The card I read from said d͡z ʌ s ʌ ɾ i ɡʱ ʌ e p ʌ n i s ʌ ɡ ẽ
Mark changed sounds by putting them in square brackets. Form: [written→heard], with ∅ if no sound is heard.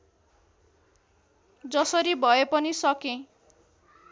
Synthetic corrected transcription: d͡z ʌ s ʌ ɾ i [ɡʱ→bʱ] ʌ e p ʌ n i s ʌ [ɡ→k] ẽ